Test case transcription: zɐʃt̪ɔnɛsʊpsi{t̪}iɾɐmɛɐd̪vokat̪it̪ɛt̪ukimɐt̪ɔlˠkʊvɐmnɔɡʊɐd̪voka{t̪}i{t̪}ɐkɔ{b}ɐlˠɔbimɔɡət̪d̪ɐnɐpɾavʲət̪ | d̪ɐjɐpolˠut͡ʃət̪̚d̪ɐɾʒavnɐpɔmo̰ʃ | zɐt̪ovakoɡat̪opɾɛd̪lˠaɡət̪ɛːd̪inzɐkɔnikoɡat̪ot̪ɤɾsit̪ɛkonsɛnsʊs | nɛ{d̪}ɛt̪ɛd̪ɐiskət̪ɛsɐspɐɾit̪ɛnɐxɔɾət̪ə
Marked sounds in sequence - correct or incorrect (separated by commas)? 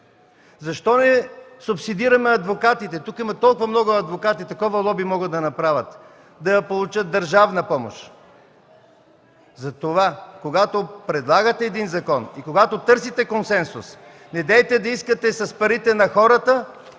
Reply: incorrect, correct, correct, incorrect, correct